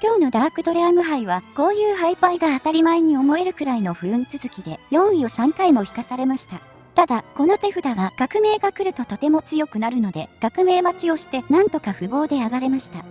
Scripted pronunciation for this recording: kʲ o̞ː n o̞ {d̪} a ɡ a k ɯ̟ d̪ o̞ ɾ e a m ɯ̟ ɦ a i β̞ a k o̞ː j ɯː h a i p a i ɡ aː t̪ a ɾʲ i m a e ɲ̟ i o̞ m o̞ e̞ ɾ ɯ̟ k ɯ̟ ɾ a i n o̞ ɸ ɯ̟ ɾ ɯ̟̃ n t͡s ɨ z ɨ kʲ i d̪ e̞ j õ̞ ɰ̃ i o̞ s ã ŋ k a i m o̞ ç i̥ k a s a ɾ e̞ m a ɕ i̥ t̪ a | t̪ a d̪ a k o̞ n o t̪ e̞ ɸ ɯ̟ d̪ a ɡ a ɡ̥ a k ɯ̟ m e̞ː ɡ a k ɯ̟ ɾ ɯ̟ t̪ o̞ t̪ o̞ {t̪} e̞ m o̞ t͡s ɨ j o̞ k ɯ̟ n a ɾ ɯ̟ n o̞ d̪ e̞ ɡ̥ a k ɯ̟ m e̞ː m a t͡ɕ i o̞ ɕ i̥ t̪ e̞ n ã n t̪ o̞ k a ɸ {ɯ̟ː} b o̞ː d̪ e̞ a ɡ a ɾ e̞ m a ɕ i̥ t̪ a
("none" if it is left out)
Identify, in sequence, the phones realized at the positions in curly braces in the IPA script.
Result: d̪, t̪, ɯ̟

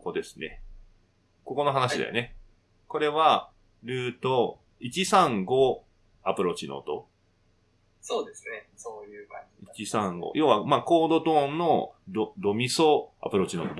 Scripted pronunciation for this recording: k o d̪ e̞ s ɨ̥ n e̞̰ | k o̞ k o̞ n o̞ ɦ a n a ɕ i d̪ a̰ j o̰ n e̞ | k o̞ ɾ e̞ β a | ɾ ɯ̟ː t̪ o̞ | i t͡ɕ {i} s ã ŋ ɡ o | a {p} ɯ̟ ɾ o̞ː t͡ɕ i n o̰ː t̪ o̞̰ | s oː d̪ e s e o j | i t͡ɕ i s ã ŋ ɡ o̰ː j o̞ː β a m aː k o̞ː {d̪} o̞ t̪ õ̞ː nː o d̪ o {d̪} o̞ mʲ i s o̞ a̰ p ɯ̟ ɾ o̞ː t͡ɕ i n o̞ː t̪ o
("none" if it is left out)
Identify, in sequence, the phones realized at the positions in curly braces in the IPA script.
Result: i, p, d̪, d̪

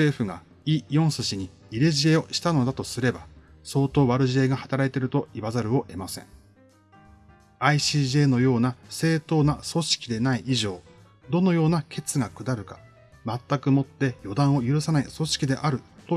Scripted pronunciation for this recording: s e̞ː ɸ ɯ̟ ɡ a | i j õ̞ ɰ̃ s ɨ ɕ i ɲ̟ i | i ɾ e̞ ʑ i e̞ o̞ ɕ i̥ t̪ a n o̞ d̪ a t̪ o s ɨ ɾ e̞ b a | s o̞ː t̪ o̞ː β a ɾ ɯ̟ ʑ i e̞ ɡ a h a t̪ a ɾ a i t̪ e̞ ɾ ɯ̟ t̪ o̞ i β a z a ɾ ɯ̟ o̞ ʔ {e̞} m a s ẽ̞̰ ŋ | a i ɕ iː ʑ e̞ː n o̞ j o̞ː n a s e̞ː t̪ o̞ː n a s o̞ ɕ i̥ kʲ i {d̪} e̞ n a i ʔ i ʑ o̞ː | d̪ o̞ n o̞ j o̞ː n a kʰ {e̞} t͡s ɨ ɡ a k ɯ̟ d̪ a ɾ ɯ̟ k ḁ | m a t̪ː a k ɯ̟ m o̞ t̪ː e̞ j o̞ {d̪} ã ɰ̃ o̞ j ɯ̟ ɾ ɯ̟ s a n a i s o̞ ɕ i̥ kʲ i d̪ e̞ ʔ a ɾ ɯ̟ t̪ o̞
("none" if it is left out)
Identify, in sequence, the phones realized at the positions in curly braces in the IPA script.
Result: e̞, d̪, e̞, d̪

